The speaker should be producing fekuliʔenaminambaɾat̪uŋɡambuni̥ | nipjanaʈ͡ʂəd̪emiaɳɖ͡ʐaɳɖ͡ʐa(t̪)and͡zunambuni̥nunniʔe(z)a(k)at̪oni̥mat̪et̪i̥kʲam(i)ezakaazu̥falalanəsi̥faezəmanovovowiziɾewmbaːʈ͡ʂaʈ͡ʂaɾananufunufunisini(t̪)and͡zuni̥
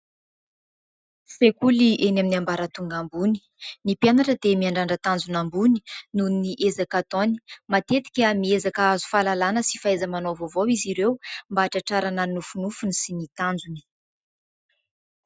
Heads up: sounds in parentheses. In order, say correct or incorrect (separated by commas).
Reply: correct, correct, correct, correct, correct